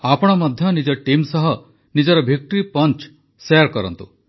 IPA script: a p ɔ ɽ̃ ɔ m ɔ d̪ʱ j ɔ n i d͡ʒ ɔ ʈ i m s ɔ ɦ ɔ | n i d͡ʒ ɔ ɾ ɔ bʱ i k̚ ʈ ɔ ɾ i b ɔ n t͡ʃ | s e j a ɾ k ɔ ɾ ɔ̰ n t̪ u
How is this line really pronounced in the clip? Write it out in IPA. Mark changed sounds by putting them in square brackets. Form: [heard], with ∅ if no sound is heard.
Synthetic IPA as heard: a p ɔ ɽ̃ ɔ m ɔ d̪ʱ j ɔ n i d͡ʒ ɔ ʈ i m s ɔ ɦ ɔ | n i d͡ʒ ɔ ɾ ɔ bʱ i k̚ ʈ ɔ ɾ i [p] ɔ n t͡ʃ | s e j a ɾ k ɔ ɾ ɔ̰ n t̪ u